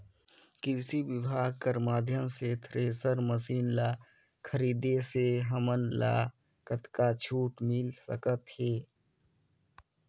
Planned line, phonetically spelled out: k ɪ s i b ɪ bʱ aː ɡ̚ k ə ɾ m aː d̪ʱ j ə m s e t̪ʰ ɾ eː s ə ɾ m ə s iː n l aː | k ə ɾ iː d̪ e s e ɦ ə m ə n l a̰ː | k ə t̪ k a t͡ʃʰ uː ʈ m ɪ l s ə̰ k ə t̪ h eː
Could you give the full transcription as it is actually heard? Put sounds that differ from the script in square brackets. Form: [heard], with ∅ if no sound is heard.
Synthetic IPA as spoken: k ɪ s i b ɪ bʱ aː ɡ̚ k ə ɾ m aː d̪ʱ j ə m s e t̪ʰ ɾ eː s ə ɾ m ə s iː n l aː | [kʰ] ə ɾ iː d̪ e s e ɦ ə m ə n l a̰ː | k ə t̪ k a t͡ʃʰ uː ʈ m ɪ l s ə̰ k ə t̪ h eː